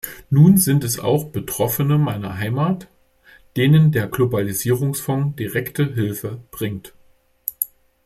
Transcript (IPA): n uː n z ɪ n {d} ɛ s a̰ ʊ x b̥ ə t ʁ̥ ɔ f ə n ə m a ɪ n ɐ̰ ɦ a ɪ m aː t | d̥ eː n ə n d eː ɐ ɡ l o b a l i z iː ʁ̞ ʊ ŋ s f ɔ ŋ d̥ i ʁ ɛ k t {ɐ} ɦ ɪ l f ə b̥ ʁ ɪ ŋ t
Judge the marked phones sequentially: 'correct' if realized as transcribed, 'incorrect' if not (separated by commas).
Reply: incorrect, incorrect